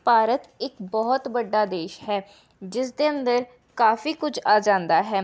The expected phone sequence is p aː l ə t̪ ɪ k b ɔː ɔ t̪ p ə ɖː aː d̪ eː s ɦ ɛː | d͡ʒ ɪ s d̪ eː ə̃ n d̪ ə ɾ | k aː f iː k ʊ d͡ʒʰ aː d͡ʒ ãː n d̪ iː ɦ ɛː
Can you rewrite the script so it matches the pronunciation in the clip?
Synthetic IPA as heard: p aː ɾ ə t̪ ɪ k b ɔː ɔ t̪ b ə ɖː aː d̪ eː ʃ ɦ ɛː | d͡ʒ ɪ s d̪ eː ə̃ n d̪ ə ɾ | k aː f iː k ʊ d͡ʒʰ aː d͡ʒ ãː n d̪ aː ɦ ɛː